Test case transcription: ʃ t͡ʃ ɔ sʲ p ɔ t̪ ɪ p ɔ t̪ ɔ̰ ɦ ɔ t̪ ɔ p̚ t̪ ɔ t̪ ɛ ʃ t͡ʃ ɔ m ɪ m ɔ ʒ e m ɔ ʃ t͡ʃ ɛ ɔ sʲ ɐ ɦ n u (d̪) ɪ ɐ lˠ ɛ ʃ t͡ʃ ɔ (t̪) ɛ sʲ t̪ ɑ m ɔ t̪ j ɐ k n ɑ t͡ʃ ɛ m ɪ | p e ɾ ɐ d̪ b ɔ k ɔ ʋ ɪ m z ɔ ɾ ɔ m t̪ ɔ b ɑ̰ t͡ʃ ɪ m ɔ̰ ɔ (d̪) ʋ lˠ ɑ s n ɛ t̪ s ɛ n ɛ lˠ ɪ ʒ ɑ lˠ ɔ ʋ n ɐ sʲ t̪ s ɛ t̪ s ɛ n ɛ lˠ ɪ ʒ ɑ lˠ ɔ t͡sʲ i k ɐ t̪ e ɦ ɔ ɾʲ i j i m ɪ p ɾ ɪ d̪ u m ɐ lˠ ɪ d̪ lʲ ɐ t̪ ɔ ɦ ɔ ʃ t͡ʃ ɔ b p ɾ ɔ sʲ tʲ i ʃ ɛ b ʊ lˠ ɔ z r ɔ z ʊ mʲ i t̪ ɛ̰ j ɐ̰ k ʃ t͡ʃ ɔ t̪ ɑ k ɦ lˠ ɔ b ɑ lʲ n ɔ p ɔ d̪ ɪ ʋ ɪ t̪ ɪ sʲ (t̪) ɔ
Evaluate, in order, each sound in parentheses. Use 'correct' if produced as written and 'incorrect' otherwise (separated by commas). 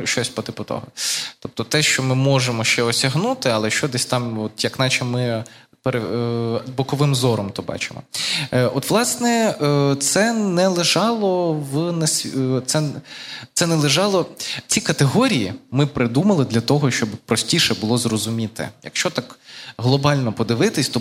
incorrect, incorrect, incorrect, correct